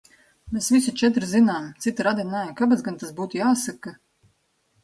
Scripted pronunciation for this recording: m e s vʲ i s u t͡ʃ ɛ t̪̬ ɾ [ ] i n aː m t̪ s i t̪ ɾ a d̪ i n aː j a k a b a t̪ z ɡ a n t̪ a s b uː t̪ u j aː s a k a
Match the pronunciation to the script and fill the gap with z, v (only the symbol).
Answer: z